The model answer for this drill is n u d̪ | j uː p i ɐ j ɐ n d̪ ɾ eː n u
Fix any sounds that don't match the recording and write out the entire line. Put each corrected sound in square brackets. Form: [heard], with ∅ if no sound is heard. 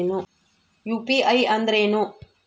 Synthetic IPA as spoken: n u [∅] | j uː p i ɐ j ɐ n d̪ ɾ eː n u